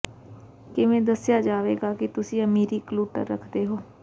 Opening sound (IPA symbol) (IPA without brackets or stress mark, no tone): k